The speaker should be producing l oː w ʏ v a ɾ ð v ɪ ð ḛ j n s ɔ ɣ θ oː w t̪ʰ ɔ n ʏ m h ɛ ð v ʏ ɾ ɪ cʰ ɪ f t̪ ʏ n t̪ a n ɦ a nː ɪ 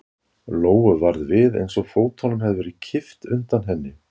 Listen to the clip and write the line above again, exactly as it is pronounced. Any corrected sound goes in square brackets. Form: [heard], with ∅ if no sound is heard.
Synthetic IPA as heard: l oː w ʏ v a ɾ ð v ɪ ð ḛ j n s ɔ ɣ [f] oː w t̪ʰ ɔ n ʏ m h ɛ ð v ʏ ɾ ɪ cʰ ɪ f t̪ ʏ n t̪ a n ɦ [ɛ] nː ɪ